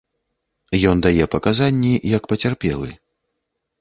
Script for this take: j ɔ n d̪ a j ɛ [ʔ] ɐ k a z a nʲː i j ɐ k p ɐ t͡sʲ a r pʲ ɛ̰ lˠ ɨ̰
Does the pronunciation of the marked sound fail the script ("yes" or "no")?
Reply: yes